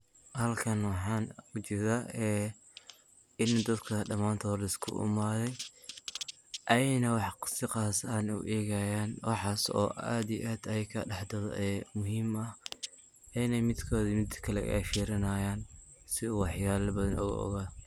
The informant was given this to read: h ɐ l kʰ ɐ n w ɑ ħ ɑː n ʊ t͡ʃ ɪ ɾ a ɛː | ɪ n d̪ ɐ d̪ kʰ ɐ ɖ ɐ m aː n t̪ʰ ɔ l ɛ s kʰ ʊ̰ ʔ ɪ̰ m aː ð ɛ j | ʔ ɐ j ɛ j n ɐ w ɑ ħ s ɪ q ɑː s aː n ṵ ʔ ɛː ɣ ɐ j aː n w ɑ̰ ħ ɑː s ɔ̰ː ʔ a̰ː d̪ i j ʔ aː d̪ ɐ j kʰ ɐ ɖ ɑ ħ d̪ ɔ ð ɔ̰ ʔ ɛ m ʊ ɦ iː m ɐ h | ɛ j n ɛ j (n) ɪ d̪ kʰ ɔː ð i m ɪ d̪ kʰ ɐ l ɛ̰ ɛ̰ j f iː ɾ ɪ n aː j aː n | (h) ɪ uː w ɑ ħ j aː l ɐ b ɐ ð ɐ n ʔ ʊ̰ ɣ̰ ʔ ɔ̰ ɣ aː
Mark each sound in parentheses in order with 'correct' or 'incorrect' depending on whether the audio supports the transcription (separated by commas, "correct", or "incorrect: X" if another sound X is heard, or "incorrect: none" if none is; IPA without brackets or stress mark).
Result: incorrect: m, incorrect: s